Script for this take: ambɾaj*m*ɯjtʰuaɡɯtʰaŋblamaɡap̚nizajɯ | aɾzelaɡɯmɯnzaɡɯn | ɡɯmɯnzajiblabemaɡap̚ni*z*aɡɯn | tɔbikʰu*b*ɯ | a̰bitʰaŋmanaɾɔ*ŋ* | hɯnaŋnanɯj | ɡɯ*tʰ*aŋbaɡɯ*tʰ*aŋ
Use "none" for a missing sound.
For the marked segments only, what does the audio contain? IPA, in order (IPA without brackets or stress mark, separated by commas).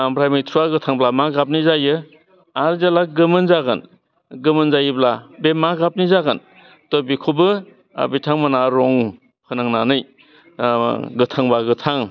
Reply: m, z, b, ŋ, tʰ, tʰ